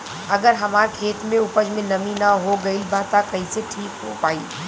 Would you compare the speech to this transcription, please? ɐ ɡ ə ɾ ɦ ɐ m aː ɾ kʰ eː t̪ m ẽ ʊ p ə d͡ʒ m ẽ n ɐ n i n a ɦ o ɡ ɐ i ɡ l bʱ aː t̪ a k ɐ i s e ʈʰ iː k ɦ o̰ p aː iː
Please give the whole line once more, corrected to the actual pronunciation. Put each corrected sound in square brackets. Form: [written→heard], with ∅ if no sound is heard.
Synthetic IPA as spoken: ɐ ɡ ə ɾ ɦ ɐ m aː ɾ kʰ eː t̪ m ẽ ʊ p ə d͡ʒ m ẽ n ɐ [n→m] i n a ɦ o ɡ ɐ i [ɡ→∅] l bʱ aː t̪ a k ɐ i s e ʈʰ iː k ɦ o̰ p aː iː